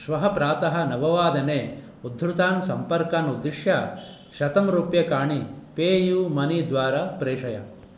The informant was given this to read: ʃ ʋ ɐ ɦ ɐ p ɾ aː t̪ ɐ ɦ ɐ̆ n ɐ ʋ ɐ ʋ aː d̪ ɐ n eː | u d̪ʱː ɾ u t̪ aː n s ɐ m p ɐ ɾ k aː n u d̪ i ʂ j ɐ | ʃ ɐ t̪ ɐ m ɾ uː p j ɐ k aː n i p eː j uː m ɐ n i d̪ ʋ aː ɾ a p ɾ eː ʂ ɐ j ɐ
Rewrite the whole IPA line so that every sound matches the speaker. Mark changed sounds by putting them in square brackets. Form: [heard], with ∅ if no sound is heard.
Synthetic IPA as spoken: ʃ ʋ ɐ ɦ ɐ p ɾ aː t̪ ɐ ɦ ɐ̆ n ɐ ʋ ɐ ʋ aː d̪ ɐ n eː | u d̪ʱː ɾ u t̪ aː n s ɐ m p ɐ ɾ k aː n u d̪ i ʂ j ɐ | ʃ ɐ t̪ ɐ m ɾ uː p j ɐ k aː [ɳ] i p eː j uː m ɐ n i d̪ ʋ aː ɾ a p ɾ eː ʂ ɐ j ɐ